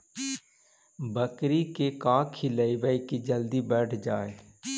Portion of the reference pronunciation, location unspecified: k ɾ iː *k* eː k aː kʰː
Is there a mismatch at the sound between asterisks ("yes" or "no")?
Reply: no